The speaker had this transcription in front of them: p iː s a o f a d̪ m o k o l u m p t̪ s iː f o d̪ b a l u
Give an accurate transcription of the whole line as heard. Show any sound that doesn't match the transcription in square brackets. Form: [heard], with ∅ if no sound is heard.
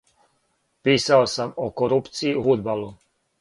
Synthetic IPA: p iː s a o [s] a [∅] m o k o [ɾ] u [∅] p t̪ s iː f [u] d̪ b a l u